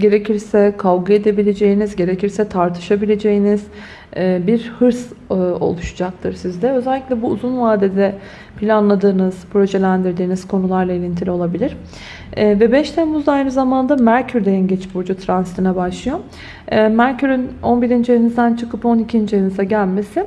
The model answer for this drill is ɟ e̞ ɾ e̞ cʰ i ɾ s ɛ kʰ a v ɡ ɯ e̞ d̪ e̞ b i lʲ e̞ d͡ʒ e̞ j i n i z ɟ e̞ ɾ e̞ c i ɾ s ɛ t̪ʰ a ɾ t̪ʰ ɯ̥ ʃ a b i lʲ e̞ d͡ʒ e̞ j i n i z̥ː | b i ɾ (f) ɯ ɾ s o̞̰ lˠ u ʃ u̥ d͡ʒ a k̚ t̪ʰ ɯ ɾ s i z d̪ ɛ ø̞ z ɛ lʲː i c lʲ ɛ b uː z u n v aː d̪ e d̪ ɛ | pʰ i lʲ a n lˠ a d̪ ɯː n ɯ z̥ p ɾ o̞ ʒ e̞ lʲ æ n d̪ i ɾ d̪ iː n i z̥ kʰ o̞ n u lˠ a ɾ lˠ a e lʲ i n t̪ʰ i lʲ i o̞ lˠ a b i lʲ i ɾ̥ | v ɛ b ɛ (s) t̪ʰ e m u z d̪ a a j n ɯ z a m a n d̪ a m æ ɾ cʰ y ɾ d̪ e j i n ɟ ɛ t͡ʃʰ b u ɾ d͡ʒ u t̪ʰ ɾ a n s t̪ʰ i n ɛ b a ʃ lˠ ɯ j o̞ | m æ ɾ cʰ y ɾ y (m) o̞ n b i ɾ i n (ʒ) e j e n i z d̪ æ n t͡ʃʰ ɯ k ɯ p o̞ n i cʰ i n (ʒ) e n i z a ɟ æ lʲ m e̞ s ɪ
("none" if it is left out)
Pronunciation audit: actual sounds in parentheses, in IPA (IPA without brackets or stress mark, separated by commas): h, ʃ, n, d͡ʒ, d͡ʒ